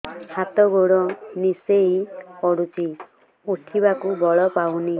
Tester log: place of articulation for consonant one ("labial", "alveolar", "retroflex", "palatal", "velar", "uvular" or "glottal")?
glottal